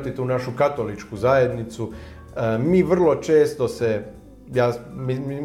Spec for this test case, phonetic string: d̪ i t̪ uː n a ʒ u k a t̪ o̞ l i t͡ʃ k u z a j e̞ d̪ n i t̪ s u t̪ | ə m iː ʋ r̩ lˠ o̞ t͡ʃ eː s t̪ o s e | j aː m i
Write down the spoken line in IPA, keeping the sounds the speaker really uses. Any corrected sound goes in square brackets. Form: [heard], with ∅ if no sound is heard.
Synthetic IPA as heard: [t̪] i t̪ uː n a [ʃ] u k a t̪ o̞ l i t͡ʃ k u z a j e̞ d̪ n i t̪ s u [∅] | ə m iː ʋ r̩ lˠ o̞ t͡ʃ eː s t̪ o s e | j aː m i